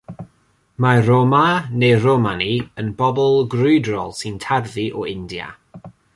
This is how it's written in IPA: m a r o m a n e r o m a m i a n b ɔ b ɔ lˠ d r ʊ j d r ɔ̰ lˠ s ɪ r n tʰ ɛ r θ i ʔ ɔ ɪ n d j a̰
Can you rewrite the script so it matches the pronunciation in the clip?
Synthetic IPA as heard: m a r o m a n e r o m a n i ə n b ɔ b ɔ lˠ ɡ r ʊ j d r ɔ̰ lˠ s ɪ n tʰ a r ð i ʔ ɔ ɪ n d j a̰